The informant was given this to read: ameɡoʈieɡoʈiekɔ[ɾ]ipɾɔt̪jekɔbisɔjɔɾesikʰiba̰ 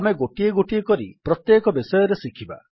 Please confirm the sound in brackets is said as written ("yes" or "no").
yes